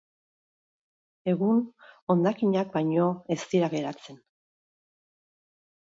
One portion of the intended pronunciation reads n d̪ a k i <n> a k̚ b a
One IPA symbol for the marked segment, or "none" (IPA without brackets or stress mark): ɲ